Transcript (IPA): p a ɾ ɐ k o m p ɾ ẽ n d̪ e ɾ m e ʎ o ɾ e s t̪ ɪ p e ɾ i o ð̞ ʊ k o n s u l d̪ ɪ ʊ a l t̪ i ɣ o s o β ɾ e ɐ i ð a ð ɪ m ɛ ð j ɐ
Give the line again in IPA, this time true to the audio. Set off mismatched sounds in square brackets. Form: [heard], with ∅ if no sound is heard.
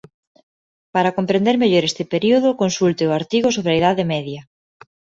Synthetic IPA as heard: p a ɾ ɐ k o m p ɾ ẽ n d̪ e ɾ m e ʎ o ɾ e s t̪ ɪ p e ɾ i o ð̞ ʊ k o n s u l [t̪] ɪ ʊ a [ɾ] t̪ i ɣ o s o β ɾ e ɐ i ð a ð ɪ m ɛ ð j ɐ